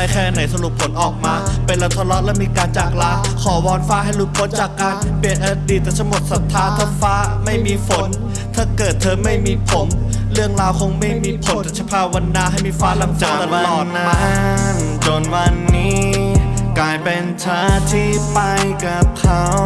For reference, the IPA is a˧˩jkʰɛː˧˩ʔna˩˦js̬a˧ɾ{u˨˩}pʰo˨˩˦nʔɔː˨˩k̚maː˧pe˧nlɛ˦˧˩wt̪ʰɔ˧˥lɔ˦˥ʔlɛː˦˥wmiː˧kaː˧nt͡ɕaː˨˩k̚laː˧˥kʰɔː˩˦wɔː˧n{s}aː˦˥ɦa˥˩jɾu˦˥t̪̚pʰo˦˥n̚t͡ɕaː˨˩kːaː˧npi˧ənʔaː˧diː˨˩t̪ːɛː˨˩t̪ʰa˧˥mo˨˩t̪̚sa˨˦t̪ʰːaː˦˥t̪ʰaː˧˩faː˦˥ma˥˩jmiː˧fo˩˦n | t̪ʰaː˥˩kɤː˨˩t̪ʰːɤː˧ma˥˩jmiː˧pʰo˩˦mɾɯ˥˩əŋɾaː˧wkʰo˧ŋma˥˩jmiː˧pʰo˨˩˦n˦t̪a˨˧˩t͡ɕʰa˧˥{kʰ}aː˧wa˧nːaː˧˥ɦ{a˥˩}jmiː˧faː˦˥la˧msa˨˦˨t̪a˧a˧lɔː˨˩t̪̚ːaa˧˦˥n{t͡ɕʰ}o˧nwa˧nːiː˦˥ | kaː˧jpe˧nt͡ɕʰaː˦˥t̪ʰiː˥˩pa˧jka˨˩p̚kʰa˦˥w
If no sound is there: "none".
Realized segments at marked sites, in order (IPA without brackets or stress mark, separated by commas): u˨˩, f, pʰ, a˥˩, t͡ɕ